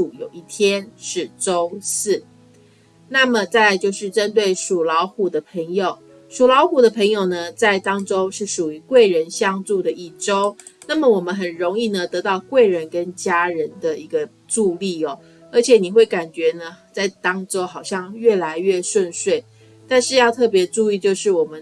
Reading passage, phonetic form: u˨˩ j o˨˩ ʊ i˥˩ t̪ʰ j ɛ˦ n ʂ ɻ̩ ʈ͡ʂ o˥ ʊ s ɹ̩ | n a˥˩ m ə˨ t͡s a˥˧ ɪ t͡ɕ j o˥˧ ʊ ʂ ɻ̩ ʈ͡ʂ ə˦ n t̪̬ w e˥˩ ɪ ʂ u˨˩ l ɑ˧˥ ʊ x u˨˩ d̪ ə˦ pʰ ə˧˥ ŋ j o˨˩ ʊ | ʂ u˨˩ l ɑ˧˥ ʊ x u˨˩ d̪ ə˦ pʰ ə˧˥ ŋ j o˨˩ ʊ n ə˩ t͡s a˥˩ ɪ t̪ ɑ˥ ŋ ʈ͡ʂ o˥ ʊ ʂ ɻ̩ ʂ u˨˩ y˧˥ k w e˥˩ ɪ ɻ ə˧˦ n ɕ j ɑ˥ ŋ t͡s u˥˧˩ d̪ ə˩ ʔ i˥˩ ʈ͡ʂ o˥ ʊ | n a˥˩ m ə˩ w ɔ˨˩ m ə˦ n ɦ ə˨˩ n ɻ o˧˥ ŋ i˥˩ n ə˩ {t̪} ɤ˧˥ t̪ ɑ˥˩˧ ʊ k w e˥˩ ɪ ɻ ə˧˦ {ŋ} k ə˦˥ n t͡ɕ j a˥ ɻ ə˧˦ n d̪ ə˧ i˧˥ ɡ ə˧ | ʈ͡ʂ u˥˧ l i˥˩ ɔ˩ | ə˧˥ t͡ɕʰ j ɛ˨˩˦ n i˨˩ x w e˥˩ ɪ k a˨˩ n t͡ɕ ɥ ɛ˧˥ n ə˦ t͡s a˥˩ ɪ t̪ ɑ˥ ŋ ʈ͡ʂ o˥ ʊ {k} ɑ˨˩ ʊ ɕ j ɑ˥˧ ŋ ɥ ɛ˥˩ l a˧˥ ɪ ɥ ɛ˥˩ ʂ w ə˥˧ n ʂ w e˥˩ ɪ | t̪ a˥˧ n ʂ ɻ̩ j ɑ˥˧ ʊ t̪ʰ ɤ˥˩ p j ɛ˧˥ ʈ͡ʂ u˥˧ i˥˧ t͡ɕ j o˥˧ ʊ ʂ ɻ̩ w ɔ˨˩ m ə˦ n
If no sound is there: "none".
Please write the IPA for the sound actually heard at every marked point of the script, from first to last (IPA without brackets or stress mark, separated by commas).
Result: t̪, n, x